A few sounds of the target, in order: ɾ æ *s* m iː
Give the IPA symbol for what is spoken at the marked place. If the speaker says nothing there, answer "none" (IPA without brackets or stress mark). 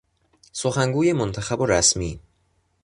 s